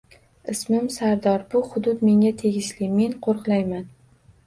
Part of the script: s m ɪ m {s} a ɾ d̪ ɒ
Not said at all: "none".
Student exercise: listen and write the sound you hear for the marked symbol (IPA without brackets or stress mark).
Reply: s